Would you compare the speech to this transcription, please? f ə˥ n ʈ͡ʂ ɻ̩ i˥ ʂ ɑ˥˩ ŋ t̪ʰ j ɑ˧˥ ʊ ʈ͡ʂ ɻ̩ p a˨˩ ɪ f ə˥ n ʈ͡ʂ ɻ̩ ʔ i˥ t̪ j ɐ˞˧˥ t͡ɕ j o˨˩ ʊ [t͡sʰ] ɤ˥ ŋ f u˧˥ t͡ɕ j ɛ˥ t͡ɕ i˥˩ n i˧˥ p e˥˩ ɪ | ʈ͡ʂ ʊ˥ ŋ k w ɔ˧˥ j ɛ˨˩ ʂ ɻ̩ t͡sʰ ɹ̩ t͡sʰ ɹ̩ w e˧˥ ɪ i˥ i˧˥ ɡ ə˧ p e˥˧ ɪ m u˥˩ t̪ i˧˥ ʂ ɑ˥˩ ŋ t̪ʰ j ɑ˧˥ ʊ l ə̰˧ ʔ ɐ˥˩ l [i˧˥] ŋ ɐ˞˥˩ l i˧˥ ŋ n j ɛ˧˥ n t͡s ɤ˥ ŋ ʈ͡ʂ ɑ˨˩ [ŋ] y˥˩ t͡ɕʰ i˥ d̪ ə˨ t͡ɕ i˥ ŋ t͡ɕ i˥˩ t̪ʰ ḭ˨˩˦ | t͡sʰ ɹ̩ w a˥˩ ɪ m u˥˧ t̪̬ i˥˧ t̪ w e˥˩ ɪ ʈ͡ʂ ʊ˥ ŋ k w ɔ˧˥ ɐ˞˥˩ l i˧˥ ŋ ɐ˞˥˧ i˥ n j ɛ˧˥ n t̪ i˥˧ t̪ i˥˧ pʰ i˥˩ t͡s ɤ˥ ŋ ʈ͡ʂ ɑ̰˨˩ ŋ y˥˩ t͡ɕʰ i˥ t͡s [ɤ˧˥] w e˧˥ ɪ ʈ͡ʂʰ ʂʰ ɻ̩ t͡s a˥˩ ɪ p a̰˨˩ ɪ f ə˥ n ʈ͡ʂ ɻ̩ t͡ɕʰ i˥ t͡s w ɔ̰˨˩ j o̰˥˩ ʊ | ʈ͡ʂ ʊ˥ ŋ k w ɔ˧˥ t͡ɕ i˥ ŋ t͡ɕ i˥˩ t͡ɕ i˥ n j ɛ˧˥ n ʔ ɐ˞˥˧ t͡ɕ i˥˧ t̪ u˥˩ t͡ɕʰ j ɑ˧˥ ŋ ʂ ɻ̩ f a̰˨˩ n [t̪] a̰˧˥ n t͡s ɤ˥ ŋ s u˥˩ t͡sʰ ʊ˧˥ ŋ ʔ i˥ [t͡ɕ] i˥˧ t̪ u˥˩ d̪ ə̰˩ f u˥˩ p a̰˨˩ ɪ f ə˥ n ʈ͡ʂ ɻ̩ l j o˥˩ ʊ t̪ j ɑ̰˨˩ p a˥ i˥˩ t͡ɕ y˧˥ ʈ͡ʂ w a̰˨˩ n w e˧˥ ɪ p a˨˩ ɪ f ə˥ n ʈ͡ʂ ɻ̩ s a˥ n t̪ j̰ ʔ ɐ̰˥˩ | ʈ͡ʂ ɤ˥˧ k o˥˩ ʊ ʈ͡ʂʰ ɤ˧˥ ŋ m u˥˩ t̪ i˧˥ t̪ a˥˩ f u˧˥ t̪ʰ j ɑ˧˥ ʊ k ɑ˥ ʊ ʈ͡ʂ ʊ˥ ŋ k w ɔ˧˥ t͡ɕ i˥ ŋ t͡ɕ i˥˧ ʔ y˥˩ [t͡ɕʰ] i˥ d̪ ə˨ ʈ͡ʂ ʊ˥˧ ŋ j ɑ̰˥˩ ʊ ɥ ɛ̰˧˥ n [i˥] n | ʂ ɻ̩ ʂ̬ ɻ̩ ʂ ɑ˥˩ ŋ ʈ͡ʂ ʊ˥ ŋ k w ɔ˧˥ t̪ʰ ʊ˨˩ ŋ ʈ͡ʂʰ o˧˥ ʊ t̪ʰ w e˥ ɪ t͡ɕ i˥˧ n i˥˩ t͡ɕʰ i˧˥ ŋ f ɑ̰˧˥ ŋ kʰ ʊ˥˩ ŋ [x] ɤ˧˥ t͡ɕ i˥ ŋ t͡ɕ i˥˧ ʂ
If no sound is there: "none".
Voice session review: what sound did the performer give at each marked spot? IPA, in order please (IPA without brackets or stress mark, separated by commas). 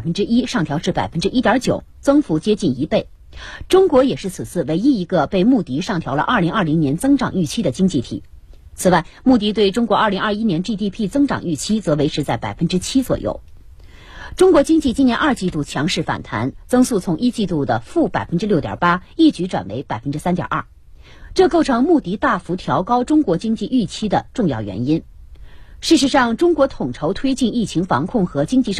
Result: t͡s, i˧˥, ŋ, ɤ˧˥, t̪ʰ, t͡ɕ, t͡ɕʰ, i˥, x